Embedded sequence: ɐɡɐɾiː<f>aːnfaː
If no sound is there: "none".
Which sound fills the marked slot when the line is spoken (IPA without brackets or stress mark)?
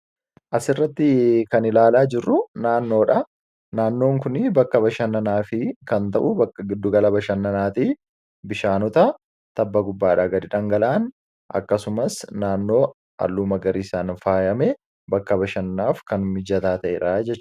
s